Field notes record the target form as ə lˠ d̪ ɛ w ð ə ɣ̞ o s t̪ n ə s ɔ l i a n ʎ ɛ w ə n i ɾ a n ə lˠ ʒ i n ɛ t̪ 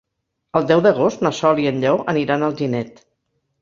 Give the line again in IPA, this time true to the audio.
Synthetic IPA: ə lˠ d̪ ɛ w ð ə ɣ̞ o s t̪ n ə s ɔ l i ə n ʎ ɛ w ə n i ɾ a n ə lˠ ʒ i n ɛ t̪